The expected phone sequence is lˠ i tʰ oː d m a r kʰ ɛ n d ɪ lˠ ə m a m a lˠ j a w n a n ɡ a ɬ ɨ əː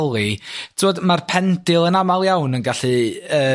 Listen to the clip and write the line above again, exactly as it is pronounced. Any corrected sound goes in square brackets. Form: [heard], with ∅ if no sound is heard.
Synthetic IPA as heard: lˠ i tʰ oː d m a r [pʰ] ɛ n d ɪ lˠ ə [n] a m a lˠ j a w n [ə] n ɡ a ɬ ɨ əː

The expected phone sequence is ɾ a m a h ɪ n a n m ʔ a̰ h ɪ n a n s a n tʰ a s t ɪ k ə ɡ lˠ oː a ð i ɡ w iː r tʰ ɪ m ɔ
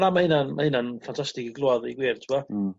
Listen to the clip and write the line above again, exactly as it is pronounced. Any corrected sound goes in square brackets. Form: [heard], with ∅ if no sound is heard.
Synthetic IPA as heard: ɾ a m a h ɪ n a n m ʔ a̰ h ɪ n a n [f] a n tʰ a s t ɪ k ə ɡ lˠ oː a ð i ɡ w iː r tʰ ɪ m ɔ

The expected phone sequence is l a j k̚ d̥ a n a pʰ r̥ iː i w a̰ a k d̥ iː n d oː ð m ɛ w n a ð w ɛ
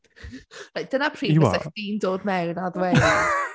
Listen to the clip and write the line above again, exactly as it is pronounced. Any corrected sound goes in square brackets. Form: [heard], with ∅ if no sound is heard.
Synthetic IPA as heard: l a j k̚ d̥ [ə] n a pʰ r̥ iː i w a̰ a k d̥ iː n d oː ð m ɛ w n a ð w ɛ

